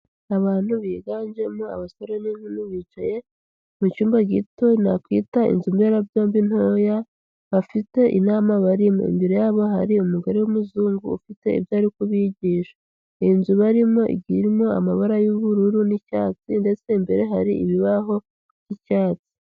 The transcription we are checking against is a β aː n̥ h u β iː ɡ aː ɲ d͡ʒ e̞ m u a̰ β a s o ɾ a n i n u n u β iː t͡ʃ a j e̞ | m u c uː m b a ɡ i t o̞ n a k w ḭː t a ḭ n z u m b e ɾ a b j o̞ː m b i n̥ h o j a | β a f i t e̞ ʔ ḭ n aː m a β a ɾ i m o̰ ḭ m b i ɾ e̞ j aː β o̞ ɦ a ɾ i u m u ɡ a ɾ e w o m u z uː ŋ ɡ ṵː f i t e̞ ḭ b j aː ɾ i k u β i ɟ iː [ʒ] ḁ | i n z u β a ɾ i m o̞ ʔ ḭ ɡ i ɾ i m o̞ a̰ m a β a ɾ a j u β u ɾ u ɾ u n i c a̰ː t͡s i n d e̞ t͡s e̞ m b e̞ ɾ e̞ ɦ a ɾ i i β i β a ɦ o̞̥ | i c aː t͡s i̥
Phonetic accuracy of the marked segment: incorrect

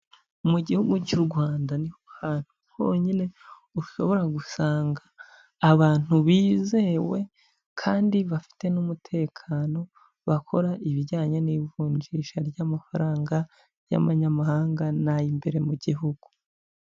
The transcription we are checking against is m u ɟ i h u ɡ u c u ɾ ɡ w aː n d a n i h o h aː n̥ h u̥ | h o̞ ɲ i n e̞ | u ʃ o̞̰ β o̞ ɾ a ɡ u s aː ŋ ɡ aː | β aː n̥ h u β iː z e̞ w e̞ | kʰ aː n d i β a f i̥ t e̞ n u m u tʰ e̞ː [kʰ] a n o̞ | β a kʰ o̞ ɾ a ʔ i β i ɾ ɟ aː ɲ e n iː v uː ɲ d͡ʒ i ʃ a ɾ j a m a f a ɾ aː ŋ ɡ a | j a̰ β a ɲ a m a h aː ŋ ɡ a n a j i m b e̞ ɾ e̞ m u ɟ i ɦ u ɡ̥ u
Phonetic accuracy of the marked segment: correct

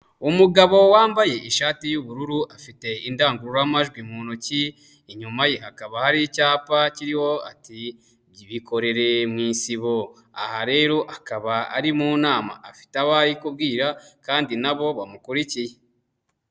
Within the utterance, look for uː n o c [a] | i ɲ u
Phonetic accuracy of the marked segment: incorrect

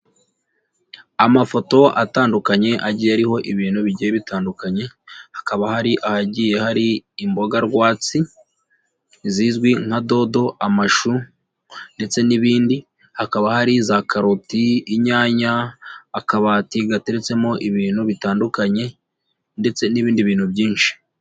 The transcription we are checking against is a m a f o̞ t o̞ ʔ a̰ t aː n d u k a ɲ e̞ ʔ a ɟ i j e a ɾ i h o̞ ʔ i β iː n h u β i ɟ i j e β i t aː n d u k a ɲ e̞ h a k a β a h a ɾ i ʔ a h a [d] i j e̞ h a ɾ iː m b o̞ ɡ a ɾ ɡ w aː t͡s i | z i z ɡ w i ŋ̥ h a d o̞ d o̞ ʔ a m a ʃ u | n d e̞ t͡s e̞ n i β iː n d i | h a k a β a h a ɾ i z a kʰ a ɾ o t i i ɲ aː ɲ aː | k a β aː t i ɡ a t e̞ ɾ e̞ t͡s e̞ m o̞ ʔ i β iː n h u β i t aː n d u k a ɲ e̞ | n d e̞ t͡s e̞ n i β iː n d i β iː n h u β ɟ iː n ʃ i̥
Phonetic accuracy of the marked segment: incorrect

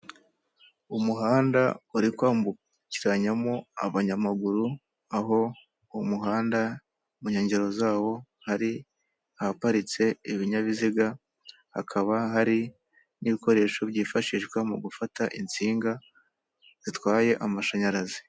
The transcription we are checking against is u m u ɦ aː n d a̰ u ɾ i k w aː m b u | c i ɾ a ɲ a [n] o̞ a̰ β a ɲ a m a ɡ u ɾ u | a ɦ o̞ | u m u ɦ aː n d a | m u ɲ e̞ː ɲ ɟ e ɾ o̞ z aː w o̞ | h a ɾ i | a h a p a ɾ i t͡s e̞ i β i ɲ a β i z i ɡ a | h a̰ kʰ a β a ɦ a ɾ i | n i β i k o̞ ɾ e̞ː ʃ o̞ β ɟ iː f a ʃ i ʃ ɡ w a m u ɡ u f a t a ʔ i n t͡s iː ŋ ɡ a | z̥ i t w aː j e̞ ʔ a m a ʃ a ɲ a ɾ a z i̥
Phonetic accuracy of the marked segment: incorrect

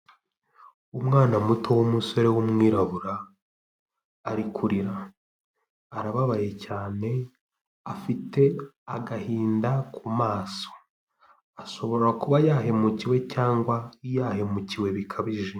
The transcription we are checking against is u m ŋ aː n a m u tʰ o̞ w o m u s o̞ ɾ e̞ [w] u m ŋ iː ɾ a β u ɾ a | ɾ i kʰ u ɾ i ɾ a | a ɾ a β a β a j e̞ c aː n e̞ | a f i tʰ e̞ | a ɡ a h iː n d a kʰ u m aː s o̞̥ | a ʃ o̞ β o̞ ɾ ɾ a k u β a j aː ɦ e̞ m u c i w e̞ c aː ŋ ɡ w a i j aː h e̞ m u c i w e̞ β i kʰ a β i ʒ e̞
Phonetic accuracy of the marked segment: correct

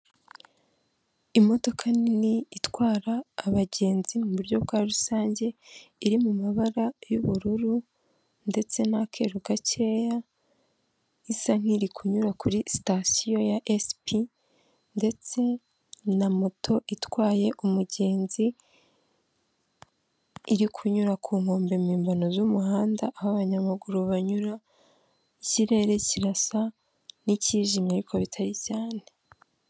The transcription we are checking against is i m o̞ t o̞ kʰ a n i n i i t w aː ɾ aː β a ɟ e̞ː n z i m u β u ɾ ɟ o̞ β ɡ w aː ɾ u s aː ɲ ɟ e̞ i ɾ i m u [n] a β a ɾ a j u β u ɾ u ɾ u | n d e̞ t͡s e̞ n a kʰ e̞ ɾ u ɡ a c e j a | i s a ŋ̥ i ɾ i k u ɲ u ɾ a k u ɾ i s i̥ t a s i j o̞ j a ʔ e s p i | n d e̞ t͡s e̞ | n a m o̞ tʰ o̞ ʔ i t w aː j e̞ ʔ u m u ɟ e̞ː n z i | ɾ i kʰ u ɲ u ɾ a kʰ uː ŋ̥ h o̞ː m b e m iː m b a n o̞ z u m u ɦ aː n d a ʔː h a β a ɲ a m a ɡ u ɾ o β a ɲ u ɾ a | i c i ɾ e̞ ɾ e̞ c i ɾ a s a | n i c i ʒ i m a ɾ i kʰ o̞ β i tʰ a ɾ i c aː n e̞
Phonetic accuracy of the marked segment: incorrect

